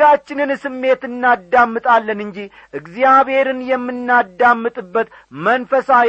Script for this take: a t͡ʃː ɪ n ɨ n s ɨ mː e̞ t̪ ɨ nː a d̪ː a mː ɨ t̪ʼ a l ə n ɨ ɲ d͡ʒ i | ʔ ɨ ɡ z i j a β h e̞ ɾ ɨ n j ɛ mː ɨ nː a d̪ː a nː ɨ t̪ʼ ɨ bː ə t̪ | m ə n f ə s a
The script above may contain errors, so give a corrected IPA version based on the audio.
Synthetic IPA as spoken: a t͡ʃː ɪ n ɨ n s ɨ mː e̞ t̪ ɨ nː a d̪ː a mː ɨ t̪ʼ a lː ə n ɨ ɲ d͡ʒ i | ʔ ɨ ɡ z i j a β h e̞ ɾ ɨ n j ɛ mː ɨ nː a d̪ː a mː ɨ t̪ʼ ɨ bː ə t̪ | m ə n f ə s a